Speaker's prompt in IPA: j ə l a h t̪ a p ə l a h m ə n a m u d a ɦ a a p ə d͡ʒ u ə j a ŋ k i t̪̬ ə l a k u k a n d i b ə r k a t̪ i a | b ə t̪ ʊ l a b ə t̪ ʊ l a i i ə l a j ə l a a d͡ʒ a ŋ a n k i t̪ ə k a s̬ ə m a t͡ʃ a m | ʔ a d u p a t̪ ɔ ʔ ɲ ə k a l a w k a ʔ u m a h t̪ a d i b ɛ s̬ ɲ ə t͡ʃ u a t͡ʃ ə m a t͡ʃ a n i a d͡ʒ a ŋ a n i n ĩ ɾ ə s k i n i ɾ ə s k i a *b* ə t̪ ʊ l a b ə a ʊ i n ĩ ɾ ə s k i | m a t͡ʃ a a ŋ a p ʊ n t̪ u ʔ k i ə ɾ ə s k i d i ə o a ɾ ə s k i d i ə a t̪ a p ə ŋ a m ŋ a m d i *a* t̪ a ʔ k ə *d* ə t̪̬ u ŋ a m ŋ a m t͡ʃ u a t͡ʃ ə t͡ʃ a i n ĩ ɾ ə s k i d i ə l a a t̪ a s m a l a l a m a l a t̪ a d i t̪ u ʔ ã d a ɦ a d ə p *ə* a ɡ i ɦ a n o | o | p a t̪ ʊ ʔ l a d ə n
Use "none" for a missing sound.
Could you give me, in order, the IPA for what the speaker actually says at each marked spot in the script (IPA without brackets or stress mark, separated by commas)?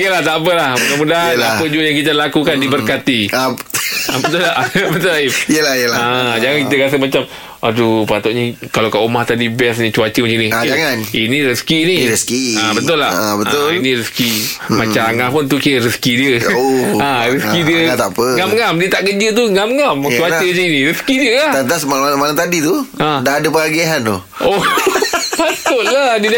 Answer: b, ə, d͡ʒ, ə